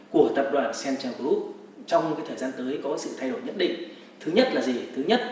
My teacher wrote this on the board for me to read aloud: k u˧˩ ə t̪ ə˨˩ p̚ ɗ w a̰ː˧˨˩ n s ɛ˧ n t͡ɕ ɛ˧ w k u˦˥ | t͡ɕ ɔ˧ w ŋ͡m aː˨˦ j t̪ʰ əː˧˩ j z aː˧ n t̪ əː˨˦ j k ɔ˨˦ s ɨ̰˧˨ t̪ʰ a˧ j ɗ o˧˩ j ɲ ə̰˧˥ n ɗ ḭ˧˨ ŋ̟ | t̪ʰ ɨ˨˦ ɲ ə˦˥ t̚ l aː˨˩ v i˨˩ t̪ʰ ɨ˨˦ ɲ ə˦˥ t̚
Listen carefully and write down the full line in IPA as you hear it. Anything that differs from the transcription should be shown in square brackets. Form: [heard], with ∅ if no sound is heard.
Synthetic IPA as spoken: k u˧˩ ə t̪ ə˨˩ p̚ ɗ w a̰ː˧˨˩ n s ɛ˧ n t͡ɕ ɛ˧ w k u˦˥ | t͡ɕ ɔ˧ w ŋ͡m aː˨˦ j t̪ʰ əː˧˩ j z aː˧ n t̪ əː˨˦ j k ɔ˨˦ s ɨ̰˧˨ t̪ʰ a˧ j ɗ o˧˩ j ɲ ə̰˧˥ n ɗ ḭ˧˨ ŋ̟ | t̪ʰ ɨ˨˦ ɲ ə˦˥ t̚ l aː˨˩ [z] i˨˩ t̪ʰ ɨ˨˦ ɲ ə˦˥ t̚